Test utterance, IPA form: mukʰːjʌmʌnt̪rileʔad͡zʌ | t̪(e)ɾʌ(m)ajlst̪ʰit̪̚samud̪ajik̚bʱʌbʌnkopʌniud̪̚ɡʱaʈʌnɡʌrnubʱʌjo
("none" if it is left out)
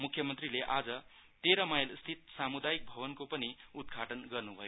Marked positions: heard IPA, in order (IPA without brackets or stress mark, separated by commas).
e, m